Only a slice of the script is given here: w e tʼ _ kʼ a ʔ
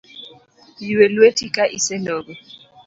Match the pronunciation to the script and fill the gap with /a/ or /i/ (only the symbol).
i